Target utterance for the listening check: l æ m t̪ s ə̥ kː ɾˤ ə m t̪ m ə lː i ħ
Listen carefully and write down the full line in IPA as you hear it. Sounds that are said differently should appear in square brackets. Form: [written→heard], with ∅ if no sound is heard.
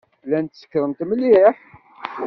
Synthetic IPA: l æ [m→n] t̪ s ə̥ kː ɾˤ ə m t̪ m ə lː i ħ